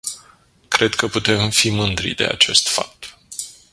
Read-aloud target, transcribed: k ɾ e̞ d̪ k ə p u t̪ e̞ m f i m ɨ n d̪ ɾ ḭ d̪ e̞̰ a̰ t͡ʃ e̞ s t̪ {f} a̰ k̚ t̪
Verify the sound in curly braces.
correct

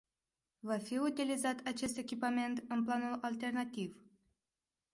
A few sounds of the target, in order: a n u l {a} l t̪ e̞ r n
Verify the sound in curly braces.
correct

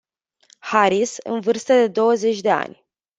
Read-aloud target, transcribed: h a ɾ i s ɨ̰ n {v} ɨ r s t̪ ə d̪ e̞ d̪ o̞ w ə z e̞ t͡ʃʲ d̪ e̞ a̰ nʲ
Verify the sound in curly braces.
correct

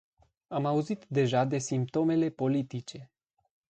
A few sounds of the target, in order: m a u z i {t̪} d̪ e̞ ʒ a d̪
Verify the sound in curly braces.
correct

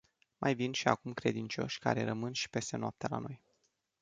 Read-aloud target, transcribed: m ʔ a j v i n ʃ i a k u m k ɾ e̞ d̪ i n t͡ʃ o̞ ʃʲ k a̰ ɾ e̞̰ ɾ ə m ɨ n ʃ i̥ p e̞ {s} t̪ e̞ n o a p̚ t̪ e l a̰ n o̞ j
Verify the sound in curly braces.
correct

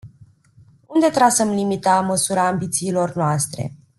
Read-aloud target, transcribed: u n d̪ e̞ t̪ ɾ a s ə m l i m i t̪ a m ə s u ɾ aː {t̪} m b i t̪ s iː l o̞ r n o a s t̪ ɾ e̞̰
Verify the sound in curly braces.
incorrect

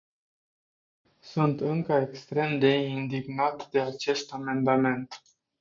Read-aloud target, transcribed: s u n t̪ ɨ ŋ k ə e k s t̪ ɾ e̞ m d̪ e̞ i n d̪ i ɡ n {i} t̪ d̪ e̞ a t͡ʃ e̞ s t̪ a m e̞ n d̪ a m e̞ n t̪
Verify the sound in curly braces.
incorrect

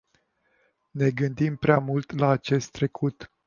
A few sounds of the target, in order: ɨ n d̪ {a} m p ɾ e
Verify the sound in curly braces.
incorrect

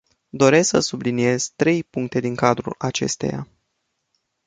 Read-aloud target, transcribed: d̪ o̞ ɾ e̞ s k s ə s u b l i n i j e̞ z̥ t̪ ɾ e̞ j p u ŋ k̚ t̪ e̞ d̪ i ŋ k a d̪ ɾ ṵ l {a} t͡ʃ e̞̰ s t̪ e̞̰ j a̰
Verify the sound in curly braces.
correct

